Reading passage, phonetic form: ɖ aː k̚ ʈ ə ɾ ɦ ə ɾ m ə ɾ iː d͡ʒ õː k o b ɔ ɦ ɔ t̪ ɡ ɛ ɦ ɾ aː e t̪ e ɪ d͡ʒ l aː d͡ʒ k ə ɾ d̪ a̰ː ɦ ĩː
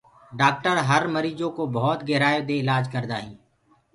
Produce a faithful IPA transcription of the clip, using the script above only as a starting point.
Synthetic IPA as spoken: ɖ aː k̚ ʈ ə ɾ ɦ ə ɾ m ə ɾ iː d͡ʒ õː k o b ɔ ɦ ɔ t̪ ɡ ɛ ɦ ɾ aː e d̪ e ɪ l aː d͡ʒ k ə ɾ d̪ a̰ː ɦ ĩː